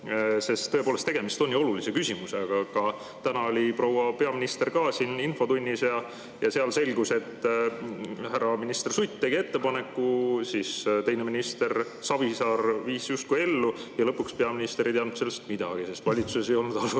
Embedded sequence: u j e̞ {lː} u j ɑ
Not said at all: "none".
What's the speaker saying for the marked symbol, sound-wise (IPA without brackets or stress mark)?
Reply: lː